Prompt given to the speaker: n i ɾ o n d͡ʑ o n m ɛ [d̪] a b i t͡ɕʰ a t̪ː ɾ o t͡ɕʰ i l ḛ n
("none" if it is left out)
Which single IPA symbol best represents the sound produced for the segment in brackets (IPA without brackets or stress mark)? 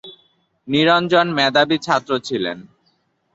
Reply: d̪